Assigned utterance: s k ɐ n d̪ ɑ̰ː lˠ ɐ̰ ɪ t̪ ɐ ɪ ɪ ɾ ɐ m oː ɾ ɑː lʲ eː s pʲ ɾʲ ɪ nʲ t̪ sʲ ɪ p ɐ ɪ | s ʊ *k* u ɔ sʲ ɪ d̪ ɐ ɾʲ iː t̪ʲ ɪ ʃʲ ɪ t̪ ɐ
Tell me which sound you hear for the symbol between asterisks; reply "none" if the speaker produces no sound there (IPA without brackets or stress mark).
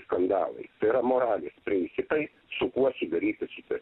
k